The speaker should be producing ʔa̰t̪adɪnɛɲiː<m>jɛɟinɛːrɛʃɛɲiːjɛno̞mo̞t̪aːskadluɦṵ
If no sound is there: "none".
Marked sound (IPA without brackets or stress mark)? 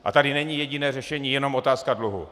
none